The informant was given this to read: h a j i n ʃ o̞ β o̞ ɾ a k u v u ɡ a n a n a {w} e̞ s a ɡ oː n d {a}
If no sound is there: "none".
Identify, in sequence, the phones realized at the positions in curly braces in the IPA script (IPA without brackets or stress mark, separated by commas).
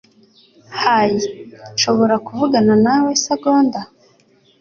w, a